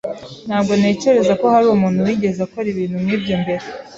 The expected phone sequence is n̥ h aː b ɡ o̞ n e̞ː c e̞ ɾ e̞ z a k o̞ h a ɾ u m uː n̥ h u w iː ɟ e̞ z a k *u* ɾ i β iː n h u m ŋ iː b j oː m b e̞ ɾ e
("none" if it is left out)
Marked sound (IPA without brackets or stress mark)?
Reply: o